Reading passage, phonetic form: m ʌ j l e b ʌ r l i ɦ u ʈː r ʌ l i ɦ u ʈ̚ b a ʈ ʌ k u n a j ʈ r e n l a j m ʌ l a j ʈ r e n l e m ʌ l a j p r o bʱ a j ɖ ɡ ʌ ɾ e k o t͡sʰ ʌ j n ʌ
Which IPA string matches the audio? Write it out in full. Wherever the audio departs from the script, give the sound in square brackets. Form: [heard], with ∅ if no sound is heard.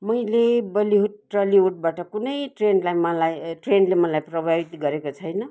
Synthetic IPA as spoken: m ʌ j l e b ʌ [∅] l i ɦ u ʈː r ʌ l i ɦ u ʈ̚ b a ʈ ʌ k u n [ʌ] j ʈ r e n l a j m ʌ l a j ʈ r e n l e m ʌ l a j p r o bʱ a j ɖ ɡ ʌ ɾ e k o t͡sʰ ʌ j n ʌ